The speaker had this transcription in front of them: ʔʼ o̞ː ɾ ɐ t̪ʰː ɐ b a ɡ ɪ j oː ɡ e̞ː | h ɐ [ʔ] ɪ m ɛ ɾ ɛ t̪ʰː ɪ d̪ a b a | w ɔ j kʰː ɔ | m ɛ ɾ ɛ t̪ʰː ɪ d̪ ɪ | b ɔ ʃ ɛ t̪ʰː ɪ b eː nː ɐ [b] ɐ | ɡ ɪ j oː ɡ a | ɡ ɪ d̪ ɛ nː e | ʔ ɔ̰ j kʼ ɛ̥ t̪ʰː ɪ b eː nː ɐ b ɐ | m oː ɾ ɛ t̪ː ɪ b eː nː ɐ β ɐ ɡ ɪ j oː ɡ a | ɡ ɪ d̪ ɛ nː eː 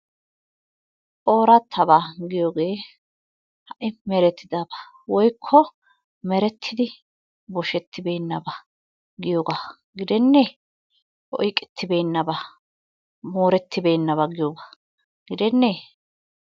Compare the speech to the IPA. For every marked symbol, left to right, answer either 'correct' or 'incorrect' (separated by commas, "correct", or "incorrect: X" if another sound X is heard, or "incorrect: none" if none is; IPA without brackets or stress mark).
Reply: correct, correct